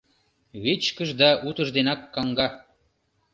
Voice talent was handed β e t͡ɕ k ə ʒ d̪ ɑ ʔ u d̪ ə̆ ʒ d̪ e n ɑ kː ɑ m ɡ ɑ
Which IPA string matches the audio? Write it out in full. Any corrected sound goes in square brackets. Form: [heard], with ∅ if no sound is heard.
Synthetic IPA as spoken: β e t͡ɕ k ə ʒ d̪ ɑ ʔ u [t̪] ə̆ ʒ d̪ e n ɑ kː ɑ [ŋ] ɡ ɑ